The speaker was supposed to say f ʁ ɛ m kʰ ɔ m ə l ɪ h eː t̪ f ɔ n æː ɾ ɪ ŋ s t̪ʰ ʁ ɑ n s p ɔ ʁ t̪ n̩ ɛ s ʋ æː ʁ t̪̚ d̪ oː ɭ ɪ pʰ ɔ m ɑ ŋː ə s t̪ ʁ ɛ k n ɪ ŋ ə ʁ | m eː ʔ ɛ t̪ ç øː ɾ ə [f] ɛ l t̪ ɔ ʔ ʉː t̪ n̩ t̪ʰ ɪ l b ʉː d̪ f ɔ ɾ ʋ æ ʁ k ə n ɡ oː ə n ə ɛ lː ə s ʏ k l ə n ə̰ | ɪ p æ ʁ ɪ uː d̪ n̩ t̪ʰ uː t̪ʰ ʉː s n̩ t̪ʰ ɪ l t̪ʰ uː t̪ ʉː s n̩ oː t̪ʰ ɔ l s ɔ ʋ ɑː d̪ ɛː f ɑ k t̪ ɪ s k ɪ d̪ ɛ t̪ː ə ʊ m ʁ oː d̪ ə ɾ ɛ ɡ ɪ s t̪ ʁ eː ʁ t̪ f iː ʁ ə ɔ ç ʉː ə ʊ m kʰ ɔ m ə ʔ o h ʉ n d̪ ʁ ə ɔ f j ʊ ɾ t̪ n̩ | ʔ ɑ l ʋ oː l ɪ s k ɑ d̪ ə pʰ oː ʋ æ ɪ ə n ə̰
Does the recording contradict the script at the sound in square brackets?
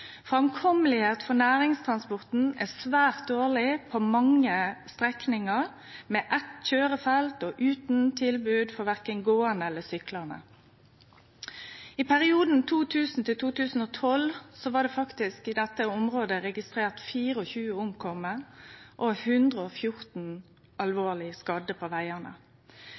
no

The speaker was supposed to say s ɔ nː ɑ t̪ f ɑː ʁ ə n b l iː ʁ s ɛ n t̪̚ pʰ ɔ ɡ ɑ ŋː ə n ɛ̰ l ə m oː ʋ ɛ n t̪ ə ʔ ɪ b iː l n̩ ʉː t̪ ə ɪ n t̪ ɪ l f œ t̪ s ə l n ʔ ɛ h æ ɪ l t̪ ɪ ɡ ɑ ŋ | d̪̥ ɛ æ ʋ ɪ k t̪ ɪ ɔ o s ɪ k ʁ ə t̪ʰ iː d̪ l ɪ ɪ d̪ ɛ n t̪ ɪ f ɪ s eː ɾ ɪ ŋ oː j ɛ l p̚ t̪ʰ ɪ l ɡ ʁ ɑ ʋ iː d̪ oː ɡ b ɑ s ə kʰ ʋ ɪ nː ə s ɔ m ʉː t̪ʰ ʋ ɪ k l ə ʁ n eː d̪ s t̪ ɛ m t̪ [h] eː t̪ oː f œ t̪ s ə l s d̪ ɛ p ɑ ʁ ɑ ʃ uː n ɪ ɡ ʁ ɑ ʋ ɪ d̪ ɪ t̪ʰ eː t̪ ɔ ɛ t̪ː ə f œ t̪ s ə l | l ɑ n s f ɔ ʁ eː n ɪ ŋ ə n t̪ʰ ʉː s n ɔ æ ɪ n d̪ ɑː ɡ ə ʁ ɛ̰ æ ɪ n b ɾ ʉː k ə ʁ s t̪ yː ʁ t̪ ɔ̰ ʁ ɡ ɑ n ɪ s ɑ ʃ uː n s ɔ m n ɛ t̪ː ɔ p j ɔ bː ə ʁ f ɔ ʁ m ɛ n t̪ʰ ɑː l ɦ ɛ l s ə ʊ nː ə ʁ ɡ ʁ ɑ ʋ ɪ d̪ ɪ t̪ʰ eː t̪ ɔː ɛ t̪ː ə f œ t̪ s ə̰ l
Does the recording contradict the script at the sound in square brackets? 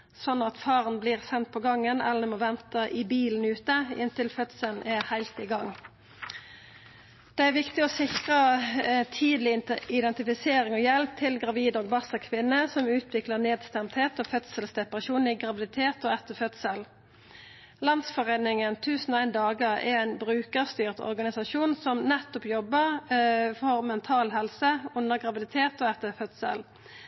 no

